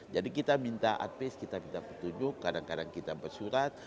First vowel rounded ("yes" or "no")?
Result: no